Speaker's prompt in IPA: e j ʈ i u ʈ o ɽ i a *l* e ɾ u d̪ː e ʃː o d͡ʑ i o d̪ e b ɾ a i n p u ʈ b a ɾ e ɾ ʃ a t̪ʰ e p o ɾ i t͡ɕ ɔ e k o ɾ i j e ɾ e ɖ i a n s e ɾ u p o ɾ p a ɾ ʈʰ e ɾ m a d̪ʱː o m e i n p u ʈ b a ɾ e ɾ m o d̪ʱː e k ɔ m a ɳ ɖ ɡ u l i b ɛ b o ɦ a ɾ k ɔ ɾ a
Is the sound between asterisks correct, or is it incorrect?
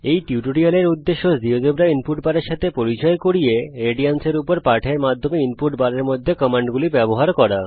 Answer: correct